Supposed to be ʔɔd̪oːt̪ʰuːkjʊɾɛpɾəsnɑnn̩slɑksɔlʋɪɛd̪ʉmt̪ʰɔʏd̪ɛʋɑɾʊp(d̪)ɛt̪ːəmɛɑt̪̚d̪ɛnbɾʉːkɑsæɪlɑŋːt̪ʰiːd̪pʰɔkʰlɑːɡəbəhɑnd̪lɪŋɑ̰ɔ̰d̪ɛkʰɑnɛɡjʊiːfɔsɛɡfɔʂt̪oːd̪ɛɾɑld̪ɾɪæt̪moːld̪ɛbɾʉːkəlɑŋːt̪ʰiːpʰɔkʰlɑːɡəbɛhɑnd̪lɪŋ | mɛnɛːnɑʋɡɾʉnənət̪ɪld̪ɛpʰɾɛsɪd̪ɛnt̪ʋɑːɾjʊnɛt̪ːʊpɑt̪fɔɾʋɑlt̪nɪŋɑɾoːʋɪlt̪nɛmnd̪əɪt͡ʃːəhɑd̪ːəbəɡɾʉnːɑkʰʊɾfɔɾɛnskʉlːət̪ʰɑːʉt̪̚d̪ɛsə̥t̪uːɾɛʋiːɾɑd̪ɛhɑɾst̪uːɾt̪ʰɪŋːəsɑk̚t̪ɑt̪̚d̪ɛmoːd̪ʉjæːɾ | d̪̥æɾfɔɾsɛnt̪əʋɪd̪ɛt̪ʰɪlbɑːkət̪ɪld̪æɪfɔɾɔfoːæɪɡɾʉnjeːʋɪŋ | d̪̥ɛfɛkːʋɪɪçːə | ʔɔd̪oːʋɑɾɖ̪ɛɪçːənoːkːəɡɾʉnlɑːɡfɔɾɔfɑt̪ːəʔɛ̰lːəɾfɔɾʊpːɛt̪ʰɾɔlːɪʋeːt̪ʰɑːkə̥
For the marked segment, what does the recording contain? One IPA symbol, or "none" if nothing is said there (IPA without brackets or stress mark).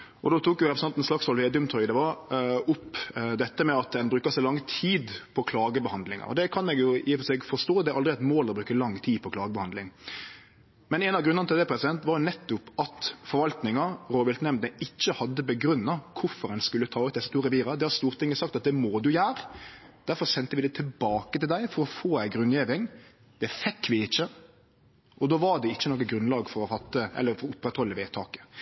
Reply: d̪